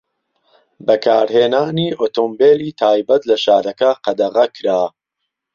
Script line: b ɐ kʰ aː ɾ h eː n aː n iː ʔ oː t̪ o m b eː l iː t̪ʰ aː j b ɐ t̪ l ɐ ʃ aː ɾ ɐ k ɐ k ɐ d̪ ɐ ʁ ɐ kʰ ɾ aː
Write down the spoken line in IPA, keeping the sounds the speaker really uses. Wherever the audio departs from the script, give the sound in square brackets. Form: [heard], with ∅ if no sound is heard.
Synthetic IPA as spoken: b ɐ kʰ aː ɾ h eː n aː n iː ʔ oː t̪ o m b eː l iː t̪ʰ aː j b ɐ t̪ l ɐ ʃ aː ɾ ɐ k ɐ [q] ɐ d̪ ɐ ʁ ɐ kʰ ɾ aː